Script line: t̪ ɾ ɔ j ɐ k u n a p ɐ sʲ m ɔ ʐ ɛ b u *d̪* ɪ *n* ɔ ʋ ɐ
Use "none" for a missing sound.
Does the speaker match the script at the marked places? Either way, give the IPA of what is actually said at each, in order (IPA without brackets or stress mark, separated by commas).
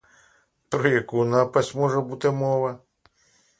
t̪, m